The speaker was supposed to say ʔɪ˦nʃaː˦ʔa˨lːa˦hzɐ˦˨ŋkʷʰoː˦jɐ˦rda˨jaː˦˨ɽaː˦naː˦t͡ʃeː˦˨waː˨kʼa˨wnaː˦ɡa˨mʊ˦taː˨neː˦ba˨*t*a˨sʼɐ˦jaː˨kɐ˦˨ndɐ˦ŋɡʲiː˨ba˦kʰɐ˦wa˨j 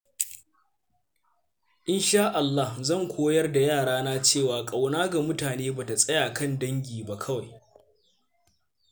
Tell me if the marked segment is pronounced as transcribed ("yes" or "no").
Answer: yes